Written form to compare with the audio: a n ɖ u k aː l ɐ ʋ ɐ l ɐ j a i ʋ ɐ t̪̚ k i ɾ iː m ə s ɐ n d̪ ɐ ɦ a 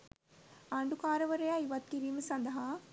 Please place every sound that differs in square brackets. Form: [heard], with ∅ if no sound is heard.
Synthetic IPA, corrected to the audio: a [ɳ] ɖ u k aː [ɾ] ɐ ʋ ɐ [ɾ] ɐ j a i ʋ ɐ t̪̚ k i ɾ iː m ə s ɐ n d̪ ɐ ɦ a